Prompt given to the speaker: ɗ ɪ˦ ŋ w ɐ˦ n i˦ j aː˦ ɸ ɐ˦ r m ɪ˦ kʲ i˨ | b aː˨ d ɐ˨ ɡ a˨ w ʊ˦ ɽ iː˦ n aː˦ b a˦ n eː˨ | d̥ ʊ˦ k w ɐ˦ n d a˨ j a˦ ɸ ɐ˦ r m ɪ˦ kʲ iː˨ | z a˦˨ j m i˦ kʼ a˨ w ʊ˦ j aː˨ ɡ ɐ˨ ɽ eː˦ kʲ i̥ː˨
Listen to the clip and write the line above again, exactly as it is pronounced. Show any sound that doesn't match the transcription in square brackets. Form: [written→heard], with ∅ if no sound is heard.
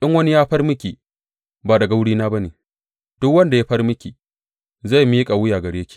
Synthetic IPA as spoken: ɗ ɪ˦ ŋ w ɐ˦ n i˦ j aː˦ ɸ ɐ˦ r m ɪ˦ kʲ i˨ | b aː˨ d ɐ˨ ɡ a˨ w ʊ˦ ɽ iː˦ n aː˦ b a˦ n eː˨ | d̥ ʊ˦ k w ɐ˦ n d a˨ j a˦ ɸ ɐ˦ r m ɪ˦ kʲ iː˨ | z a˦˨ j m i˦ kʼ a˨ w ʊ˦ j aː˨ ɡ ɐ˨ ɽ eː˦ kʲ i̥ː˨